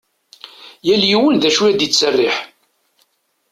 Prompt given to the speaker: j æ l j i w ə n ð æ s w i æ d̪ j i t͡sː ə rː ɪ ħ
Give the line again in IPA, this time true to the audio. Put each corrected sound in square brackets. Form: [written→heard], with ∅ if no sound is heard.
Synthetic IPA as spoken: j æ l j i w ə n ð æ [s→ʃ] w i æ d̪ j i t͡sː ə rː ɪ ħ